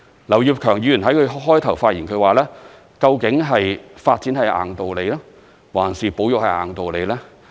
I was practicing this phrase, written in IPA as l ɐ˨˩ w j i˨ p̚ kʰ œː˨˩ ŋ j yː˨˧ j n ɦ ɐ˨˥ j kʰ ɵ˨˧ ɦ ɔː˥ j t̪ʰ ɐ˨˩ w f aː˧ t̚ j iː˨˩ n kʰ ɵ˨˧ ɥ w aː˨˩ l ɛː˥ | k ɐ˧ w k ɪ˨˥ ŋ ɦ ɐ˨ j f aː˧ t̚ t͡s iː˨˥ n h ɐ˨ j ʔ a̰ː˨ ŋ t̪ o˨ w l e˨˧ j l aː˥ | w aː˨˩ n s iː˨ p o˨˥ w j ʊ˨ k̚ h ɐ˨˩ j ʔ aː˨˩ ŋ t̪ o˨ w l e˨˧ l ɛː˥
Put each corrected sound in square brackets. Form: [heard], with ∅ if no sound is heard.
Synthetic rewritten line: l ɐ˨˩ w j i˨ p̚ kʰ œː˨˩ ŋ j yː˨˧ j n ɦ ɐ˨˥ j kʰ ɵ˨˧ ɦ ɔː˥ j t̪ʰ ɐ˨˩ w f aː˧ t̚ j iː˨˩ n kʰ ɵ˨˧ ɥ w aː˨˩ l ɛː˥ | k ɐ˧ w k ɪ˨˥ ŋ ɦ ɐ˨ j f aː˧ t̚ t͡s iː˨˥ n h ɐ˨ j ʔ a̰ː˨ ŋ t̪ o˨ w l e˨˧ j l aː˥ | w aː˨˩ n s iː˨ p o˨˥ w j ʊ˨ k̚ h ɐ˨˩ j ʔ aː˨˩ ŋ t̪ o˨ w l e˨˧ l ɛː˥

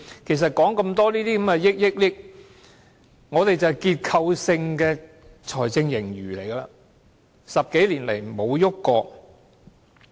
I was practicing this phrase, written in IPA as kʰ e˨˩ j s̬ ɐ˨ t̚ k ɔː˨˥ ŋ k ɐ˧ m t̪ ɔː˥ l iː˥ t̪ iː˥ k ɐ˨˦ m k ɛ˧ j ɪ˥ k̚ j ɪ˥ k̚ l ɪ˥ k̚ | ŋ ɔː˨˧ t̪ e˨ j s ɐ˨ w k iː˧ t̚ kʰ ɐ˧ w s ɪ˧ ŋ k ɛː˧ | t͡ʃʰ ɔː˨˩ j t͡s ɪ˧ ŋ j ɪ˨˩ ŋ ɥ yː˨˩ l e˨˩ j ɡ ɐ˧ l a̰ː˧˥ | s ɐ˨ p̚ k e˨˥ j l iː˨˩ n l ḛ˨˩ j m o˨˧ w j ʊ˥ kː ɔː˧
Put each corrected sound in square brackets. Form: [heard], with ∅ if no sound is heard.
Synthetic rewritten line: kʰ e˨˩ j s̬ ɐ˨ t̚ k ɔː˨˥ ŋ k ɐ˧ m t̪ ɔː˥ l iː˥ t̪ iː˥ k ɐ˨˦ m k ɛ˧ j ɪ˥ k̚ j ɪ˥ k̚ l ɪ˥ k̚ | ŋ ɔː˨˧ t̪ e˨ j [t͡s] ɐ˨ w k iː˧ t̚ kʰ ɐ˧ w s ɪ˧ ŋ k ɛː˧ | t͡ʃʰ ɔː˨˩ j t͡s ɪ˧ ŋ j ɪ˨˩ ŋ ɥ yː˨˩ l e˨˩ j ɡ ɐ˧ l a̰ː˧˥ | s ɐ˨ p̚ k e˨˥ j l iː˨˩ n l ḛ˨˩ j m o˨˧ w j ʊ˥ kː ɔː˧

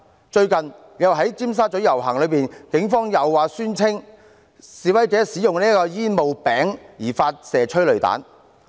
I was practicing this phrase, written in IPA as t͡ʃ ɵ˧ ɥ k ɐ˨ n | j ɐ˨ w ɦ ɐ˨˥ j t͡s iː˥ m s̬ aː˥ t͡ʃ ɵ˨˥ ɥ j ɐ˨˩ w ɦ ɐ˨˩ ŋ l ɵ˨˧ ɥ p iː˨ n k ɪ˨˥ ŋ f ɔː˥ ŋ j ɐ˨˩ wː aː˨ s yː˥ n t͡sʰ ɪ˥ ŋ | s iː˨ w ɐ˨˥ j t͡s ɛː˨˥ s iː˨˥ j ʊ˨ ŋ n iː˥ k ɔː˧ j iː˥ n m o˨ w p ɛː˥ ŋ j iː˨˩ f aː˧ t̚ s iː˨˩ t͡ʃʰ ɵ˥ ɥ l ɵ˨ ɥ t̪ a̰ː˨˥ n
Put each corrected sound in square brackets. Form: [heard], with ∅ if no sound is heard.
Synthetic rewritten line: t͡ʃ ɵ˧ ɥ k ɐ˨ n | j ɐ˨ w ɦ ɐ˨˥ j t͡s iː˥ m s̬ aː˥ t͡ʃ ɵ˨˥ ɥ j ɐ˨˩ w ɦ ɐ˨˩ ŋ l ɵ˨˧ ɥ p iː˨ n k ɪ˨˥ ŋ f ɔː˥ ŋ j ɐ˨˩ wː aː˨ s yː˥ n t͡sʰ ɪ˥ ŋ | s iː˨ w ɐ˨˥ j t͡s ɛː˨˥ s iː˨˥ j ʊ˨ ŋ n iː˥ k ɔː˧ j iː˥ n m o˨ w p [ɛː˨˥] ŋ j iː˨˩ f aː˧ t̚ s [ɛː˨˩] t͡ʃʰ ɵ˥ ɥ l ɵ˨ ɥ t̪ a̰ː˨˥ n

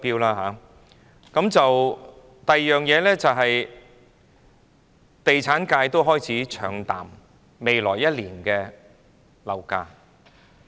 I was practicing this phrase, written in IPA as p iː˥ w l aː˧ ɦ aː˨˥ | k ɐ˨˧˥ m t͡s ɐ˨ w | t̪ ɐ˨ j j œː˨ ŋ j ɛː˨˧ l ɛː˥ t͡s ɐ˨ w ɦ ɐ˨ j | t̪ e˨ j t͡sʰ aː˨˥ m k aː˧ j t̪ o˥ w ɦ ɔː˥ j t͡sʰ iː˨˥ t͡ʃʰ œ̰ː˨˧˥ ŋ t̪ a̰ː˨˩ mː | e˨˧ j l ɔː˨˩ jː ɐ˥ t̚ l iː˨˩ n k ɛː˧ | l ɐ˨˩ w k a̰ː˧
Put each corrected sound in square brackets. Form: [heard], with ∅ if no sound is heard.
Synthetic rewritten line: p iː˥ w l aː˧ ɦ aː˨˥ | k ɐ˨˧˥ m t͡s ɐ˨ w | t̪ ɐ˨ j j œː˨ ŋ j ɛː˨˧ l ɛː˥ t͡s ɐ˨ w ɦ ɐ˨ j | t̪ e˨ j t͡sʰ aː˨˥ [n] k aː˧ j t̪ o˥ w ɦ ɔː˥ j t͡sʰ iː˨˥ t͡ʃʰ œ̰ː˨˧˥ ŋ t̪ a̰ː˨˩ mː | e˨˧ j l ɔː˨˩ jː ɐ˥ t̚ l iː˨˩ n k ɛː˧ | l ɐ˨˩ w k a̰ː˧

